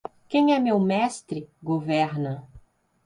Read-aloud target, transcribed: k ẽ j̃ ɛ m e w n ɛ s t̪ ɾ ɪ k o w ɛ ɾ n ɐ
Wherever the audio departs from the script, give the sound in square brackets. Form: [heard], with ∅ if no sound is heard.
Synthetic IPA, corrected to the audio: k ẽ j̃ ɛ m e w [m] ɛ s t̪ ɾ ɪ [ɡ] o [v] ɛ ɾ n ɐ